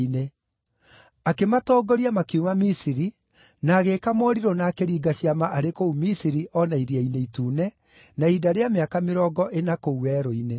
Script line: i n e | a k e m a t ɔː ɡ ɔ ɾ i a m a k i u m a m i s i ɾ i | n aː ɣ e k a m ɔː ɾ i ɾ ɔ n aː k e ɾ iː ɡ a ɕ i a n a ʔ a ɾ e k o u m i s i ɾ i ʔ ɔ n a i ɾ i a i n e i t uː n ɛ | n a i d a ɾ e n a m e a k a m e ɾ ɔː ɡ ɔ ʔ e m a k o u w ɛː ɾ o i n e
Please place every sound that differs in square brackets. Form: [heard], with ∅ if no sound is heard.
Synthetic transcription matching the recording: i n e | a k e m a t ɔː ɡ ɔ ɾ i a m a k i u m a m i s i ɾ i | n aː ɣ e k a m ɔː ɾ i ɾ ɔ n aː k e ɾ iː ɡ a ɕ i a [m] a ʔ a ɾ e k o u m i s i ɾ i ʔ ɔ n a i ɾ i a i n e i t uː n ɛ | n a i d a ɾ e [∅] a m e a k a m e ɾ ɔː ɡ ɔ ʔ e [n] a k o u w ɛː ɾ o i n e